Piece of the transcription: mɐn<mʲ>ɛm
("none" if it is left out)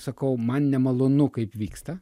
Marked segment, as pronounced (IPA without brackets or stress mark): nʲ